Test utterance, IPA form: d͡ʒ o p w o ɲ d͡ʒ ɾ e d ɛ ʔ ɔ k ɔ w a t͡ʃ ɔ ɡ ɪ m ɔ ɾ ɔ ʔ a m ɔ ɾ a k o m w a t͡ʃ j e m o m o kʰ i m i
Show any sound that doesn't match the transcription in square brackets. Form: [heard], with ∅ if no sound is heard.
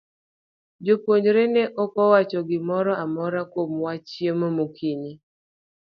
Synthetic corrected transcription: d͡ʒ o p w o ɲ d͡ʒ ɾ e [n] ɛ ʔ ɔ k ɔ w a t͡ʃ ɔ ɡ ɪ m ɔ ɾ ɔ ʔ a m ɔ ɾ a k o m w a t͡ʃ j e m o m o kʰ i [ɲ] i